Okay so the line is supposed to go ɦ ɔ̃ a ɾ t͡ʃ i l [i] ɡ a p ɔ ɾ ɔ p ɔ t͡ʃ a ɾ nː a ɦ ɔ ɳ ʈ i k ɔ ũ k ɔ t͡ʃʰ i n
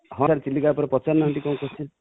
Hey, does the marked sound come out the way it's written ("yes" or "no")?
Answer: yes